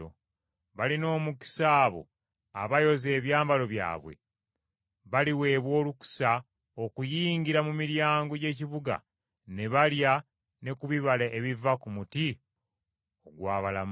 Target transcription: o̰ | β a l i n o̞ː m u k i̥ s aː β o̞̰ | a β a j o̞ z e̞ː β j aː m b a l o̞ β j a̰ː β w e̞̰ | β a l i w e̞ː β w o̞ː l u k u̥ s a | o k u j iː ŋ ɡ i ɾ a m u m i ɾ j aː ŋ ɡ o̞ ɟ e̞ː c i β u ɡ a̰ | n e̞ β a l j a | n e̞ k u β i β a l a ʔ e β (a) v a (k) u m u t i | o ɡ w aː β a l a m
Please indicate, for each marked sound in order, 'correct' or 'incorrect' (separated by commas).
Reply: incorrect, correct